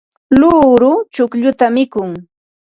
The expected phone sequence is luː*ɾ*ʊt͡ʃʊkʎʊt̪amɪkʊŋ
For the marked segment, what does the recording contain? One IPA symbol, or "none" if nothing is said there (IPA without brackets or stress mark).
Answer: ɾ